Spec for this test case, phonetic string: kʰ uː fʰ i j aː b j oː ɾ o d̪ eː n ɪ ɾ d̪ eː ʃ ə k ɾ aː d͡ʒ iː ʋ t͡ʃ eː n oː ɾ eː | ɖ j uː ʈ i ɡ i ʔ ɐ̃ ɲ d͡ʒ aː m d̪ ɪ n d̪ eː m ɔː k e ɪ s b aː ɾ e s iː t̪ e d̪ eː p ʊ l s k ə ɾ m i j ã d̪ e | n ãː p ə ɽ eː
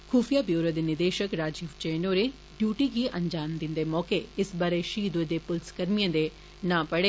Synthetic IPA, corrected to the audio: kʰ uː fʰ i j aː b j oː ɾ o d̪ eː n ɪ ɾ d̪ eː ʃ ə k ɾ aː d͡ʒ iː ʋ t͡ʃ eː n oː ɾ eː | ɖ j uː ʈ i ɡ i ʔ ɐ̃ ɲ d͡ʒ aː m d̪ ɪ n d̪ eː m ɔː k e ɪ s b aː ɾ e ʃ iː d̪ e d̪ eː p ʊ l s k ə ɾ m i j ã d̪ e | n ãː p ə ɽ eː